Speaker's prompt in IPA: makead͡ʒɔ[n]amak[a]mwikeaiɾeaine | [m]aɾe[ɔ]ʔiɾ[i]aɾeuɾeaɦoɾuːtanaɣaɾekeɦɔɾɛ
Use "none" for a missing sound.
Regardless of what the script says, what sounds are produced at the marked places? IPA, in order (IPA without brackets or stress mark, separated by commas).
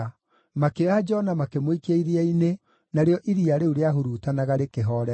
n, e, n, ɔ, i